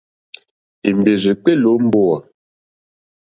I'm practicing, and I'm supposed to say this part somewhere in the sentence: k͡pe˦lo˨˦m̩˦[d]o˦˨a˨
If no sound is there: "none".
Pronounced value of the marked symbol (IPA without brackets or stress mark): b